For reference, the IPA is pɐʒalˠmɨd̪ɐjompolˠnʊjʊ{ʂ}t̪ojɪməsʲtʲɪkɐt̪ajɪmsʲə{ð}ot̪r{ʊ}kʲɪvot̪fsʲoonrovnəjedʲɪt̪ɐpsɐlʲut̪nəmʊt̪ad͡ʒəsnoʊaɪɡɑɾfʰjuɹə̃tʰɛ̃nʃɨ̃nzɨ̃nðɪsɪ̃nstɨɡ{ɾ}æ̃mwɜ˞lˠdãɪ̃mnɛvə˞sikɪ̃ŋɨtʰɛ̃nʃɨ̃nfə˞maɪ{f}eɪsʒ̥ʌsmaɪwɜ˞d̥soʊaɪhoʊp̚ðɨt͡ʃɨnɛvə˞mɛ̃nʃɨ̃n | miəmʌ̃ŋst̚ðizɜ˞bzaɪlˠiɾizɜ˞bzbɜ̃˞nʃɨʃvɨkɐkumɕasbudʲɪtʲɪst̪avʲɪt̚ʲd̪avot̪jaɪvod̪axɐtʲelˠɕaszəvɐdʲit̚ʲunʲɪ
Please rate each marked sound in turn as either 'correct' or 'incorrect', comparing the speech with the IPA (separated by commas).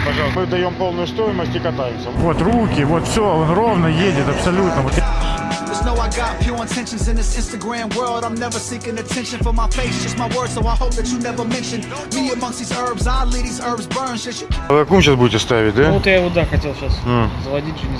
incorrect, incorrect, incorrect, incorrect, correct